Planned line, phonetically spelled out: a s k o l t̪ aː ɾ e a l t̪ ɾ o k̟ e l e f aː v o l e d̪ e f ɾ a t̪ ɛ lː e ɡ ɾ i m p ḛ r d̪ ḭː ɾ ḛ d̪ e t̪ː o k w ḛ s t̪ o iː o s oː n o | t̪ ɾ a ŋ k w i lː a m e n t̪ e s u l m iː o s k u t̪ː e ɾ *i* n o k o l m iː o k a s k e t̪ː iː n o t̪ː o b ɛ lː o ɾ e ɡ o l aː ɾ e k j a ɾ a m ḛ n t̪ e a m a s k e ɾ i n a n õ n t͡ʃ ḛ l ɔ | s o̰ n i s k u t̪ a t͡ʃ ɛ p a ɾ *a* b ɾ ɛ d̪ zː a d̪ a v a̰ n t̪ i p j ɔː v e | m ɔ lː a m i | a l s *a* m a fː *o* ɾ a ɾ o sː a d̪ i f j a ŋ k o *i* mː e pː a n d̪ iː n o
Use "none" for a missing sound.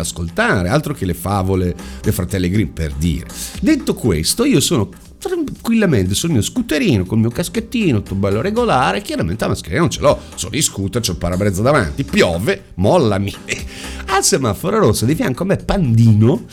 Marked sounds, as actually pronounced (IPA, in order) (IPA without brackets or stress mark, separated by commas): iː, a, e, o, a